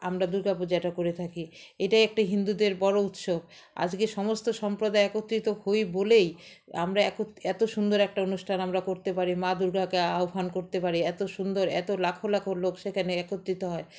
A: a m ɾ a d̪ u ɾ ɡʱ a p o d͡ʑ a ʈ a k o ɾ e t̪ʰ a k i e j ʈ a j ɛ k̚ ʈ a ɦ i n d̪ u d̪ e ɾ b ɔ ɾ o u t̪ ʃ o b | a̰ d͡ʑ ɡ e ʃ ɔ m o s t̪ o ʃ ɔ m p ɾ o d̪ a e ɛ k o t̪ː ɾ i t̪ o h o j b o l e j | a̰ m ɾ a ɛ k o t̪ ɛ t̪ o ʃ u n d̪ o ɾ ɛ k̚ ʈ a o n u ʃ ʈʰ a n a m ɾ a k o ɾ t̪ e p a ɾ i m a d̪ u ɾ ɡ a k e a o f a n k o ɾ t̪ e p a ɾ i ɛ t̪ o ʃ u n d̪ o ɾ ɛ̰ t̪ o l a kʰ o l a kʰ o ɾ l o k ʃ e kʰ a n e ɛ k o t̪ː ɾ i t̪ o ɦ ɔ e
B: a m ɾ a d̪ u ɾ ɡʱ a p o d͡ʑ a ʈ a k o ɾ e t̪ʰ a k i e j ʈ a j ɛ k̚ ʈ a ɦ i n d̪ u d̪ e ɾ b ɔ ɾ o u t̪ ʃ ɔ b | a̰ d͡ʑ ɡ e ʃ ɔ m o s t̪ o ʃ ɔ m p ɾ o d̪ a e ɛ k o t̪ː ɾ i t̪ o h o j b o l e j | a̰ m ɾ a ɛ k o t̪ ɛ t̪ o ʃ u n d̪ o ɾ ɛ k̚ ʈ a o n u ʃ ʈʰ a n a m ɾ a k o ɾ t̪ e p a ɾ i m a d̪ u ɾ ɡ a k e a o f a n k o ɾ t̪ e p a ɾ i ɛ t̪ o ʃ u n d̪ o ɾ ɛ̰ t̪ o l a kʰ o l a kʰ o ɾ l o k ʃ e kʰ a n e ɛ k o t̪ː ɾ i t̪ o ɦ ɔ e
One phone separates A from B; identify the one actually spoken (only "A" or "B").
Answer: A